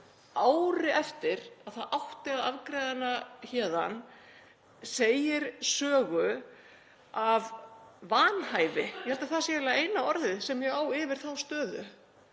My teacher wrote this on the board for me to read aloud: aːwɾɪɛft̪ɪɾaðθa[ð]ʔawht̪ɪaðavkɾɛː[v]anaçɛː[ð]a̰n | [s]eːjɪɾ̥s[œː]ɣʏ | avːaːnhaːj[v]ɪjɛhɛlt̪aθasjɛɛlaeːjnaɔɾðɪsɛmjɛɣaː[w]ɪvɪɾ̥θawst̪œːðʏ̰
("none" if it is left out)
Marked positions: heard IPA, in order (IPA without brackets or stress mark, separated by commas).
ð, ð, ð, s, œː, v, w